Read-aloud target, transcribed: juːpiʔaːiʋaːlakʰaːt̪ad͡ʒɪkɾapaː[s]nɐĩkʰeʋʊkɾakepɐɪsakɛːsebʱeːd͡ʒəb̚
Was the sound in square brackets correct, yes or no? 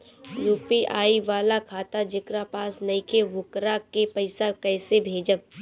yes